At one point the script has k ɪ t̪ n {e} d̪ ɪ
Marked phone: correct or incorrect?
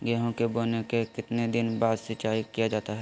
correct